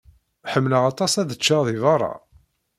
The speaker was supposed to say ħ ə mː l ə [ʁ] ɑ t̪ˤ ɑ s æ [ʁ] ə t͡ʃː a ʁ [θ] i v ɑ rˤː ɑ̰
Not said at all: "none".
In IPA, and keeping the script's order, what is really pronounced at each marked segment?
ʁ, ð, ð

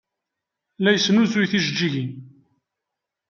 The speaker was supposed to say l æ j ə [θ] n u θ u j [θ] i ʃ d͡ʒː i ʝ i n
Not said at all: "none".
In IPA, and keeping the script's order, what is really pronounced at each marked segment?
s, θ

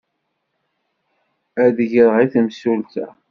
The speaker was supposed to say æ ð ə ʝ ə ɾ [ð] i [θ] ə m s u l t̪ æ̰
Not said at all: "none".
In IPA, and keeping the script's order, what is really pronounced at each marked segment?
ʁ, θ

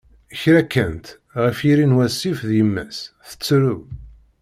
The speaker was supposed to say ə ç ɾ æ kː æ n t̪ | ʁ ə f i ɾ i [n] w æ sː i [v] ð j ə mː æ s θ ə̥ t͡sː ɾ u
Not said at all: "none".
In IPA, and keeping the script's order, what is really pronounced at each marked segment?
n, f

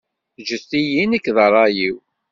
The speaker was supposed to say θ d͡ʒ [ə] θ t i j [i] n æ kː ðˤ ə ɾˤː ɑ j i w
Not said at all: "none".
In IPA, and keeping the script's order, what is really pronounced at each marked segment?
ə, i

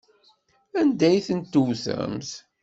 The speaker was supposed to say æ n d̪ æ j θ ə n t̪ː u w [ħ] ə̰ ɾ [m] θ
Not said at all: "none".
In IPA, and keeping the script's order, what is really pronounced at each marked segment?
θ, m

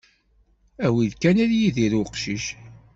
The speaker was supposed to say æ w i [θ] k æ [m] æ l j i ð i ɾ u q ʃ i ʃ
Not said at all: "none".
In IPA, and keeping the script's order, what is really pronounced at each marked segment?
ð, n

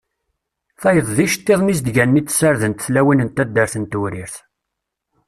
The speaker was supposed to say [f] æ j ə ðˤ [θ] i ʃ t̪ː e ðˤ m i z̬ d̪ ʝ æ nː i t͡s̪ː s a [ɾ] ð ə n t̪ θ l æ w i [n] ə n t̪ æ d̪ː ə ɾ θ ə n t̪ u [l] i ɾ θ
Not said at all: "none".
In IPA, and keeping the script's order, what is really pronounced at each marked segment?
θ, ð, ɾ, n, ɾ

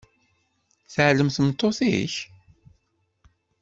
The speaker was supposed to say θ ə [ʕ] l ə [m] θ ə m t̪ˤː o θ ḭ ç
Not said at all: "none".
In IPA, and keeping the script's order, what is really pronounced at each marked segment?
ʕ, m

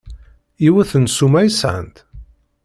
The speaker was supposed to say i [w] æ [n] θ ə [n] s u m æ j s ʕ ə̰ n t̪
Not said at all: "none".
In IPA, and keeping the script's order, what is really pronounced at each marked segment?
w, none, n

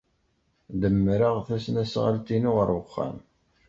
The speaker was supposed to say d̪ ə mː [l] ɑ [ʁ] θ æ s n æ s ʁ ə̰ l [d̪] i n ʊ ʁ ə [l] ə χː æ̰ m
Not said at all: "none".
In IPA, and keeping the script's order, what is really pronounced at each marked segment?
ɾ, ʁ, t̪, ɾ

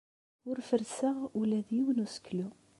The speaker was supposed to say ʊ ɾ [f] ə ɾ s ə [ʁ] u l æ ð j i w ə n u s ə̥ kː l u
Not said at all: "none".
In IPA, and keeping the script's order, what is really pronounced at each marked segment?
f, ʁ

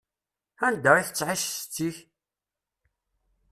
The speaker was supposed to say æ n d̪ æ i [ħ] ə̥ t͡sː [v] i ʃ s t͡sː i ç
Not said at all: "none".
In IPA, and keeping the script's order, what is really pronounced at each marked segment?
θ, ʕ

